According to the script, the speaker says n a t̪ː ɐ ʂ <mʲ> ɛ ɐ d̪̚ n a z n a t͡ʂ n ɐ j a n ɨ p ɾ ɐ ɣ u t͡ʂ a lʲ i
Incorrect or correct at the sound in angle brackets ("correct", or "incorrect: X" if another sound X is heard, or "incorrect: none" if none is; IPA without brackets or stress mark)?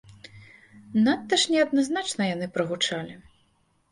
incorrect: nʲ